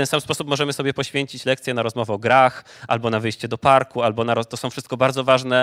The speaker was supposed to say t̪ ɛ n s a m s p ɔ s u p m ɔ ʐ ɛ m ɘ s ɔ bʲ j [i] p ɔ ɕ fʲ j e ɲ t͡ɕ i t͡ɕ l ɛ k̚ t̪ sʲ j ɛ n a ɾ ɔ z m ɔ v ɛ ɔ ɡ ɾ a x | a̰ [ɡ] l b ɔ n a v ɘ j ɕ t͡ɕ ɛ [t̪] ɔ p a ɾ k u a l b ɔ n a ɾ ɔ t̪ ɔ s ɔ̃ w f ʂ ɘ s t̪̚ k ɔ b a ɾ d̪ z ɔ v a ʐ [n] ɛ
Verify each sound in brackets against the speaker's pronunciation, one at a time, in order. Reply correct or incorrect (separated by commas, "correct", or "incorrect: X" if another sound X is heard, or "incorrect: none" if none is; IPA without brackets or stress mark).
incorrect: ɛ, incorrect: none, incorrect: d̪, correct